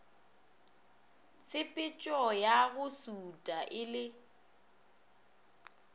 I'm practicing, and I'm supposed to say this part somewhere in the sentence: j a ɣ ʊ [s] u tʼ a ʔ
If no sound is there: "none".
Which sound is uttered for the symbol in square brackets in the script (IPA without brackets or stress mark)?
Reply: s